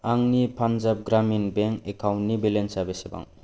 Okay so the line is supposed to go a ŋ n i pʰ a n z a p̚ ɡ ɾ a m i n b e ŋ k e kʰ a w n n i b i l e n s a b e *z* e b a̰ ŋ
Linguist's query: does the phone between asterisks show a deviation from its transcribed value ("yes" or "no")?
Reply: yes